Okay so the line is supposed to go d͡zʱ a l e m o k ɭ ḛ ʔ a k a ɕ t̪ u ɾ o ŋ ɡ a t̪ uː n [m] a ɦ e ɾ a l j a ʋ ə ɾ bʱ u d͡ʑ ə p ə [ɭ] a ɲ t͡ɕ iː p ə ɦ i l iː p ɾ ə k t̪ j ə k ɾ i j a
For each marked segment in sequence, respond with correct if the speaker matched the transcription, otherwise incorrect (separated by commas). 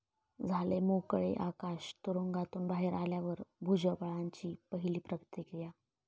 incorrect, correct